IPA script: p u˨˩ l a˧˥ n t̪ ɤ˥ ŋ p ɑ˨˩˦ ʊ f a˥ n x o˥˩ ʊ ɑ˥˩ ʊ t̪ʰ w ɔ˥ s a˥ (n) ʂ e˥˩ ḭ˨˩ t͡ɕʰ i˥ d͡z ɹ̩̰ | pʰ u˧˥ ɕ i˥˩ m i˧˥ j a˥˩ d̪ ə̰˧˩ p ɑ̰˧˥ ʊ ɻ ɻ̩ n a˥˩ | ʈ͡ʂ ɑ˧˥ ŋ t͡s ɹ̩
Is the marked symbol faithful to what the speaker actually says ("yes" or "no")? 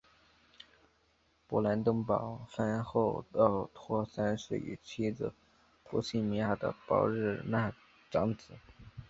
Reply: yes